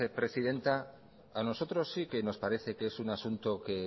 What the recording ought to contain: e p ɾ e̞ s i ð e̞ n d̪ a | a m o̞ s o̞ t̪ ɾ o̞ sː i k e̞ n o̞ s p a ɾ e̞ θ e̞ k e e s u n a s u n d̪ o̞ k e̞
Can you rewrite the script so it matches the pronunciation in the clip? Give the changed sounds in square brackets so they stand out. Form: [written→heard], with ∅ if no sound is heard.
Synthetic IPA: e p ɾ e̞ s i ð e̞ n [d̪→t̪] a | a [m→n] o̞ s o̞ t̪ ɾ o̞ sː i k e̞ n o̞ s p a ɾ e̞ θ e̞ k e e s u n a s u n [d̪→t̪] o̞ k e̞